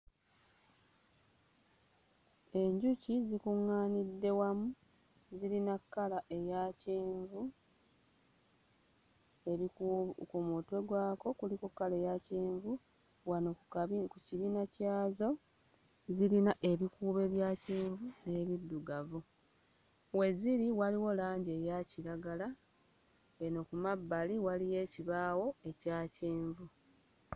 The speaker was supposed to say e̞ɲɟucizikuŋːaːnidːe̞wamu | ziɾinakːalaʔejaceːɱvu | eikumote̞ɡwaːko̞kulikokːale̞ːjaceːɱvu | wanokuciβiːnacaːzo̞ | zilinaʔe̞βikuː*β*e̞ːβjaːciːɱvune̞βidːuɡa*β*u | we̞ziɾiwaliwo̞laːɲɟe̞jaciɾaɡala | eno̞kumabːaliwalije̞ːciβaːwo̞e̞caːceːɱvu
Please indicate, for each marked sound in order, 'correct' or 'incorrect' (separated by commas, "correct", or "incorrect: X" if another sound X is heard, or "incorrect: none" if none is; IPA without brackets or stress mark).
correct, incorrect: v